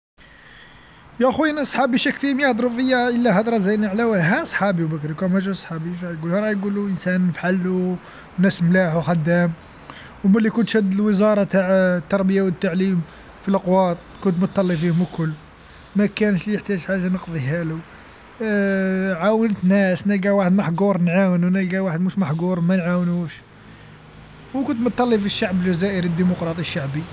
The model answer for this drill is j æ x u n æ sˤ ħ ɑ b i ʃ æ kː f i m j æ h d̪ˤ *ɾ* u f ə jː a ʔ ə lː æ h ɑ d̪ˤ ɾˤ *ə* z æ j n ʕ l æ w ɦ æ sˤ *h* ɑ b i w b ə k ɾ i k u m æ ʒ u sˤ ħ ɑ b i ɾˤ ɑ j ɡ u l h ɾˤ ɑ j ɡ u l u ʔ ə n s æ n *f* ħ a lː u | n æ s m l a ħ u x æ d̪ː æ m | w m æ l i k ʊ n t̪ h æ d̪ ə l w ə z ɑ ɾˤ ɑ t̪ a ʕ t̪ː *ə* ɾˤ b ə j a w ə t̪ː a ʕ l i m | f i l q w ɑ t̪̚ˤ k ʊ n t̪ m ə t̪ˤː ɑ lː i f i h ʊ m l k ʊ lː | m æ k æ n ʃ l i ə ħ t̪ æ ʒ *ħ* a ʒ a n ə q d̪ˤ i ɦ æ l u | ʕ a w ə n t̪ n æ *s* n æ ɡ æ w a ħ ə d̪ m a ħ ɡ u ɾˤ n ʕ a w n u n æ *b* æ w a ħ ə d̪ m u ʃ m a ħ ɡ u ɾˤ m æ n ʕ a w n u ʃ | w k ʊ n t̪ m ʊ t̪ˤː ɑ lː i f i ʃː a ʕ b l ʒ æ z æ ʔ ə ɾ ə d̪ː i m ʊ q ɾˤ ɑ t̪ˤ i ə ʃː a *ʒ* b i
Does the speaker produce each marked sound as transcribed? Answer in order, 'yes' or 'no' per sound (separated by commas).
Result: yes, no, no, yes, no, yes, yes, no, no